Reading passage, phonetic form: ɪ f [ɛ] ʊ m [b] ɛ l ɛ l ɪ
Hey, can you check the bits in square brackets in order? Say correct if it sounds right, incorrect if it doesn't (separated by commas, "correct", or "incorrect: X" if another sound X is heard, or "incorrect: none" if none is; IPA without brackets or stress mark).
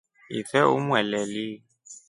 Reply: correct, incorrect: w